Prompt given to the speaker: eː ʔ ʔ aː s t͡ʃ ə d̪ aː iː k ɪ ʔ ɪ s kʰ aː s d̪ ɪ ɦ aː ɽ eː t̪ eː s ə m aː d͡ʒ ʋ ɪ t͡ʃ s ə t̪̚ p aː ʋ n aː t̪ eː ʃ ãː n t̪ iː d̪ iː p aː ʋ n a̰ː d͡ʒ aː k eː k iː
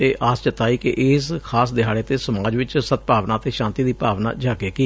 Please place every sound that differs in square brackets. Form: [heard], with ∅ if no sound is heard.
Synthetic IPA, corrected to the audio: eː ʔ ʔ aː s t͡ʃ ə [t̪] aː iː k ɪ ʔ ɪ s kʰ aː s d̪ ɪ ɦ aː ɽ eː t̪ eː s ə m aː d͡ʒ ʋ ɪ t͡ʃ s ə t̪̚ p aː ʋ n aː t̪ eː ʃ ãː n t̪ iː d̪ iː p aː ʋ n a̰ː d͡ʒ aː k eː k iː